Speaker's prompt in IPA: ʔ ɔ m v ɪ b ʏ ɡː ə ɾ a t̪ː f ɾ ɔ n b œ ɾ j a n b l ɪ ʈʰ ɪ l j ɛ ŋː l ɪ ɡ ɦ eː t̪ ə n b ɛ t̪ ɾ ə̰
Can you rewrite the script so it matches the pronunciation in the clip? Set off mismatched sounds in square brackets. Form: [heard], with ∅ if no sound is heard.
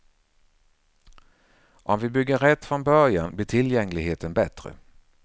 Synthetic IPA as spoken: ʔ ɔ m v ɪ b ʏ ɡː ə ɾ [ɛ] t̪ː f ɾ ɔ n b œ ɾ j a n b l ɪ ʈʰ ɪ l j ɛ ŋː l ɪ ɡ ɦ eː t̪ ə n b ɛ t̪ ɾ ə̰

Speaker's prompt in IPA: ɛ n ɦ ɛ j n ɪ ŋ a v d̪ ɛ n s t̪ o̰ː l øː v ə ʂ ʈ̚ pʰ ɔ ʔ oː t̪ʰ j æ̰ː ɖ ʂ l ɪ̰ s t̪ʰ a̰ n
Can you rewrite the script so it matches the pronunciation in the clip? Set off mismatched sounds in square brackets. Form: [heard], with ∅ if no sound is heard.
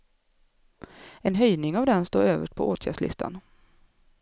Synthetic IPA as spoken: ɛ n ɦ [œ] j n ɪ ŋ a v d̪ ɛ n s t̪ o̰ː [ɾ] øː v ə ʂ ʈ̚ pʰ ɔ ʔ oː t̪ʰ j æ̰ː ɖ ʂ l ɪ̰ s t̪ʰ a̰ n

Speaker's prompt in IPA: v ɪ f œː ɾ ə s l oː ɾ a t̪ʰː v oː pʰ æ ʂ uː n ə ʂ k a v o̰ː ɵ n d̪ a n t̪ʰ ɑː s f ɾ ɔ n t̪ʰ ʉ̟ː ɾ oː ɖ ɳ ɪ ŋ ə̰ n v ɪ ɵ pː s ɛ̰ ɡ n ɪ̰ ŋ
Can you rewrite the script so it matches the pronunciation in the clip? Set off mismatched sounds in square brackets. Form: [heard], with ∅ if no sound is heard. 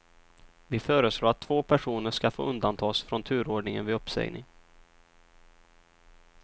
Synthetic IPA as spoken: v ɪ f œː ɾ ə s l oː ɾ a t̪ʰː v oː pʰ æ ʂ uː n ə ʂ k a [f] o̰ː ɵ n d̪ a n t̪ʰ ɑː s f ɾ ɔ n t̪ʰ ʉ̟ː ɾ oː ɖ ɳ ɪ ŋ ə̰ n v ɪ ɵ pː s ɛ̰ ɡ n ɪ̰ ŋ

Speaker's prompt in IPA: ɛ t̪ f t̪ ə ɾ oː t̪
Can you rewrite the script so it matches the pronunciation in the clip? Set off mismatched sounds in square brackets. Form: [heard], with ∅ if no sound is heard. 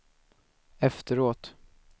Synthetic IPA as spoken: ɛ [∅] f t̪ ə ɾ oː t̪

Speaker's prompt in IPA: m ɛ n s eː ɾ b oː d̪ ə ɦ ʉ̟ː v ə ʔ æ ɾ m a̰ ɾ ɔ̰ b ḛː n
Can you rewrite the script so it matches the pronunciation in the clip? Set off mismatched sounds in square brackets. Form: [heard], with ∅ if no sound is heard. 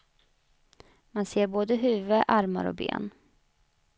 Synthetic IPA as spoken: m [a] n s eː ɾ b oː d̪ ə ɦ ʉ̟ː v ə ʔ [a] ɾ m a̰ ɾ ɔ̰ b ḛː n

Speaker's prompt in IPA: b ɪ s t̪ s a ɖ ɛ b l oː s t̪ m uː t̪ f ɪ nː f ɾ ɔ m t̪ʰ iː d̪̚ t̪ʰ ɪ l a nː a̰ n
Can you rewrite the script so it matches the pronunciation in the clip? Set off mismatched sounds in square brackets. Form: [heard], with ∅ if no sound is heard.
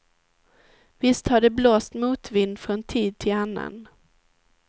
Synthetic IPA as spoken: [v] ɪ s t̪ [h] a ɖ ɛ b l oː s t̪ m uː t̪ [v] ɪ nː f ɾ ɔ [n] t̪ʰ iː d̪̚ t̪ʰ ɪ l a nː a̰ n

